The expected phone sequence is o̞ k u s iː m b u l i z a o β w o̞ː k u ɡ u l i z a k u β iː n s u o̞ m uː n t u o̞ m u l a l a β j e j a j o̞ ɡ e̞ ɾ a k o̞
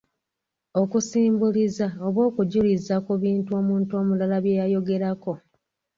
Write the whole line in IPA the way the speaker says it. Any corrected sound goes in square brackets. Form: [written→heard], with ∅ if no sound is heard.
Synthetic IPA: o̞ k u s iː m b u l i z a o β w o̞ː k u [ɡ→ɟ] u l i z a k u β iː n [s→t] u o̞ m uː n t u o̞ m u l a l a β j e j a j o̞ ɡ e̞ ɾ a k o̞